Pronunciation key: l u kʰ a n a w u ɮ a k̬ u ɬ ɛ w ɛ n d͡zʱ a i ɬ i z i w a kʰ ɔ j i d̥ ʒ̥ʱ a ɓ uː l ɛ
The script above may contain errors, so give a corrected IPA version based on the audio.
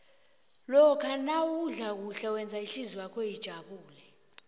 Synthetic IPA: l ɔ kʰ a n a w u ɮ a k̬ u ɬ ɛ w ɛ n d͡zʱ a i ɬ i z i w a kʰ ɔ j i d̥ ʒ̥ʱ a ɓ uː l ɛ